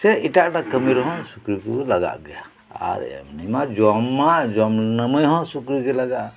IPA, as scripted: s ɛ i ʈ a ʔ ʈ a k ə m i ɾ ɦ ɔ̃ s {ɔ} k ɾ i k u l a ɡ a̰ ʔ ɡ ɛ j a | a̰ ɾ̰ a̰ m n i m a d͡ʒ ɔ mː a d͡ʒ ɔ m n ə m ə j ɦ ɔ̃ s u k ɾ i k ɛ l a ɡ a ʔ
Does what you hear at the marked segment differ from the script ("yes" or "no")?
yes